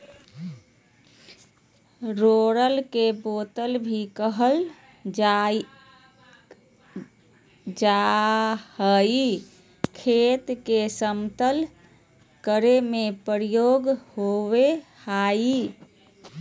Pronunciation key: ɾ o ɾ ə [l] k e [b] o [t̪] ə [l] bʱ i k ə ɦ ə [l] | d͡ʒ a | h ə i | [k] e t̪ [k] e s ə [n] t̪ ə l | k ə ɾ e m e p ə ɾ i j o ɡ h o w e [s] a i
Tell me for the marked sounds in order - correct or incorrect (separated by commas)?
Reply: correct, correct, correct, correct, correct, incorrect, correct, incorrect, incorrect